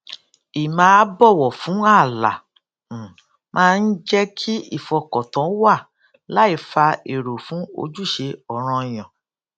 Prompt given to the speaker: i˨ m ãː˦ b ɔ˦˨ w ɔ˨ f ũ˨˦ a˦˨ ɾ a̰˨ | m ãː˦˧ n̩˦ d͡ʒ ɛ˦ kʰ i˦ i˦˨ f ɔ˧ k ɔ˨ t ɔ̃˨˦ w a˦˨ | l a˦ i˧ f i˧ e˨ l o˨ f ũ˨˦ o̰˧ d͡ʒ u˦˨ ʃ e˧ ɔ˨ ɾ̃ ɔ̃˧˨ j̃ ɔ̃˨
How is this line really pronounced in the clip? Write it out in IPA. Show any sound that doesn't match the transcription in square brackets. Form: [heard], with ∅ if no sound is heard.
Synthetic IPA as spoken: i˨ m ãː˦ b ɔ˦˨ w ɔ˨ f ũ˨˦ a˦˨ [l] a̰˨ | m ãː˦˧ n̩˦ d͡ʒ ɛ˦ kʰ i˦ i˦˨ f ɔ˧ k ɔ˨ t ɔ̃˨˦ w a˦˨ | l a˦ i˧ f [a˧] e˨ [ɾ] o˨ f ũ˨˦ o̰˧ d͡ʒ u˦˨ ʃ e˧ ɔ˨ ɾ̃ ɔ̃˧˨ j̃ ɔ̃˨